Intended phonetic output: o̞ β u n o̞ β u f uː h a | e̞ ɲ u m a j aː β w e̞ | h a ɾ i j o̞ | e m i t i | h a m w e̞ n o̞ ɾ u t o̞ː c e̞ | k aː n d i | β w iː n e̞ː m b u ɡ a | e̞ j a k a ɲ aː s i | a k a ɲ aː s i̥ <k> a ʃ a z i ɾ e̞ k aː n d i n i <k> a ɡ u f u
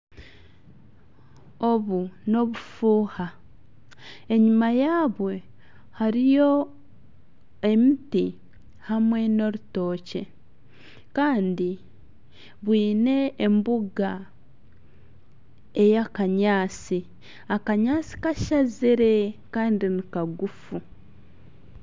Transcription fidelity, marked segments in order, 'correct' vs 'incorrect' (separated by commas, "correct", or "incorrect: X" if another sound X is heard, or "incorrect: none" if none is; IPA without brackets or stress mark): correct, correct